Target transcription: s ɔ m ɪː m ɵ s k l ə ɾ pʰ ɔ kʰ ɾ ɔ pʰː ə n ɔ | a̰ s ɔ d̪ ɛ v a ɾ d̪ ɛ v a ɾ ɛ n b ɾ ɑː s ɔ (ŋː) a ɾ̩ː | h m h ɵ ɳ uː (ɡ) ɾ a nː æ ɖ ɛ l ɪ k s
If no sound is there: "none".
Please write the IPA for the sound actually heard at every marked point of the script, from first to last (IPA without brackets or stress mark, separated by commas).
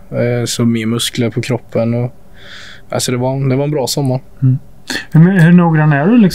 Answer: mː, ɡ